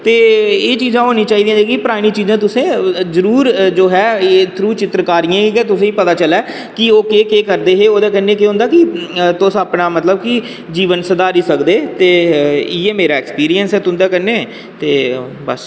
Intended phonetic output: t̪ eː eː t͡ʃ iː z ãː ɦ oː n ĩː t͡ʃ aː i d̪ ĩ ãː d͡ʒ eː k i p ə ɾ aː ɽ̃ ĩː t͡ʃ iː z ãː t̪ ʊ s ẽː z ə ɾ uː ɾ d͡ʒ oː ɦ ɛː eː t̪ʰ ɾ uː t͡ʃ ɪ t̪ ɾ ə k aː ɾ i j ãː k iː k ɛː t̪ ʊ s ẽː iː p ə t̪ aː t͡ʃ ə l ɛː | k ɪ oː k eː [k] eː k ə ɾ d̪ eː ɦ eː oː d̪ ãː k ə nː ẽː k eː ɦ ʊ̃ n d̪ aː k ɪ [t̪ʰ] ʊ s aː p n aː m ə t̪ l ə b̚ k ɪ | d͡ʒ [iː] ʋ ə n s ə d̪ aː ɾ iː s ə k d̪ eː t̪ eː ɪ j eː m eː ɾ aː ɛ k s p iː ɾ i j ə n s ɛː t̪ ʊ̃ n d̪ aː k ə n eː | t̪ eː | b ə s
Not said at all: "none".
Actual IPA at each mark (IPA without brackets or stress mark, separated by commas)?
k, t̪, iː